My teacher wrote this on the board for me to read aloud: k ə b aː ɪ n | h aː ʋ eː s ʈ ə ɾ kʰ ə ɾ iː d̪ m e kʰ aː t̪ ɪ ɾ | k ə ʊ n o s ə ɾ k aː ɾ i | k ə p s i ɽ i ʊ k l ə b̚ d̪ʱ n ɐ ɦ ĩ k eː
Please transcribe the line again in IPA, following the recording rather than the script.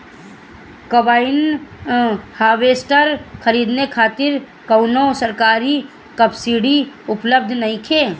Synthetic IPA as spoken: k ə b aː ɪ n | h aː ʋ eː s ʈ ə ɾ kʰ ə ɾ iː d̪ n e kʰ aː t̪ ɪ ɾ | k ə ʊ n o s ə ɾ k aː ɾ i | k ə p s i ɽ i ʊ p l ə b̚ d̪ʱ n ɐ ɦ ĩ kʰ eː